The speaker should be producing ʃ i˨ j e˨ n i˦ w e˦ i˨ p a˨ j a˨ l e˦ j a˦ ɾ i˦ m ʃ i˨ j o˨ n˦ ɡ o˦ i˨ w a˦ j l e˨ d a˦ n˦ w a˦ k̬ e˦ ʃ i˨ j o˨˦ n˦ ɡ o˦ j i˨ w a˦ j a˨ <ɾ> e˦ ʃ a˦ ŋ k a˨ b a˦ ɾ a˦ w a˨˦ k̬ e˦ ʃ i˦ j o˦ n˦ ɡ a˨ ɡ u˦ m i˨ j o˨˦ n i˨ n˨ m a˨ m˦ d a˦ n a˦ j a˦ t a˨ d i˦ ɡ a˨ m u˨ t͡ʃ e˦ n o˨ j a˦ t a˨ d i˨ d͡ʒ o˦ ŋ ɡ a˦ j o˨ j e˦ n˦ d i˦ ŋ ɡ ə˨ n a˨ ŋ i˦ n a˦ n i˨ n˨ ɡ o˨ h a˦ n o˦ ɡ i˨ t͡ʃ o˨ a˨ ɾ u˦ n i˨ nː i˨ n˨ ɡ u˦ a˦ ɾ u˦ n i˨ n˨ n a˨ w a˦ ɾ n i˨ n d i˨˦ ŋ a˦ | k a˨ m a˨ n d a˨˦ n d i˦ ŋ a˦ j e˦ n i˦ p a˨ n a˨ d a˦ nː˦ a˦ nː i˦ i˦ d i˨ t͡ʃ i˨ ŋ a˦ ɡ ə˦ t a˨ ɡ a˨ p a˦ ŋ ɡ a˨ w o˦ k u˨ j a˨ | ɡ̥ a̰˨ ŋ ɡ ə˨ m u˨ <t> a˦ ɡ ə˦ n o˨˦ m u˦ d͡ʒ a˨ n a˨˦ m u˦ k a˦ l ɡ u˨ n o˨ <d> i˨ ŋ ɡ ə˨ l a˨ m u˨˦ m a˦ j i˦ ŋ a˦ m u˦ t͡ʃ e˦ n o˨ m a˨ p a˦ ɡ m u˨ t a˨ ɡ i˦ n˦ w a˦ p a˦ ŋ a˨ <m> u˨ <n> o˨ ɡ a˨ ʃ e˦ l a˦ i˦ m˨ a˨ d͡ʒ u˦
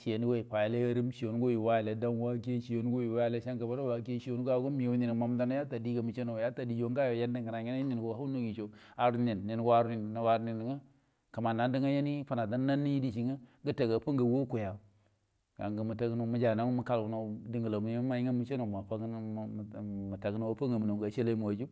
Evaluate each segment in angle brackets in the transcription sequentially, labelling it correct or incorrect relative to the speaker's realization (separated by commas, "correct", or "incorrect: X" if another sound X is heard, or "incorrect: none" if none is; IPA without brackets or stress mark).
incorrect: l, correct, correct, correct, correct